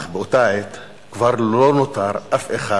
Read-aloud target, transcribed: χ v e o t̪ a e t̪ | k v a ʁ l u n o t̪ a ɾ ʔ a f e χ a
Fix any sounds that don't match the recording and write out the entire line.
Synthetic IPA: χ b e o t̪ a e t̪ | k v a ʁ l o n o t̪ a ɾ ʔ a f e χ a